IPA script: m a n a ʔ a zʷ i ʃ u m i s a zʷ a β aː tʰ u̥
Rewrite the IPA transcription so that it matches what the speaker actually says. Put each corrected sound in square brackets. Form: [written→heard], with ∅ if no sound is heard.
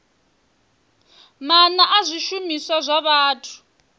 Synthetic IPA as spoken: m a n a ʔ a zʷ i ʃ u m i s a zʷ a β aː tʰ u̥